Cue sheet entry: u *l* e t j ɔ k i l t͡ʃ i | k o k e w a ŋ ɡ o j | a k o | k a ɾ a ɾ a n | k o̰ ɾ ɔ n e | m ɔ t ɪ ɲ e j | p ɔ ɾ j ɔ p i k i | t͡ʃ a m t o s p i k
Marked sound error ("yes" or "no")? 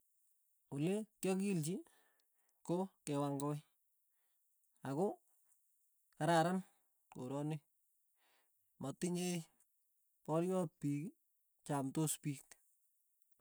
no